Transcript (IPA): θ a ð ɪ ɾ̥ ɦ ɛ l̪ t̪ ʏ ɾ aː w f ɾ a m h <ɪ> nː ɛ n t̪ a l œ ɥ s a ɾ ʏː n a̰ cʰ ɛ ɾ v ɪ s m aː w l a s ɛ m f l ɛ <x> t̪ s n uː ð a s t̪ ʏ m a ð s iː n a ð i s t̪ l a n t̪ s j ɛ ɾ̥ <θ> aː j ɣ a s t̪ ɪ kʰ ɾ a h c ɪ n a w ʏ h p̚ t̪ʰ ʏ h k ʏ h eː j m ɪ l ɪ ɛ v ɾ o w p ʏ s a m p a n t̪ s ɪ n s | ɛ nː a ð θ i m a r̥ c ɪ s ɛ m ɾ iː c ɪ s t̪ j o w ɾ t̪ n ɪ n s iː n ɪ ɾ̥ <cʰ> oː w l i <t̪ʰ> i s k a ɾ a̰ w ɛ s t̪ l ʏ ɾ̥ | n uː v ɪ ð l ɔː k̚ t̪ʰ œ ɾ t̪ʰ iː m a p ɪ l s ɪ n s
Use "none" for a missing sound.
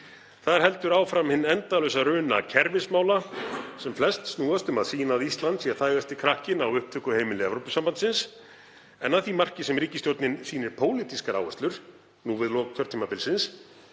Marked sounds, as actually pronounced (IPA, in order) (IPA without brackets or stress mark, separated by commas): ɪ, s, θ, pʰ, t̪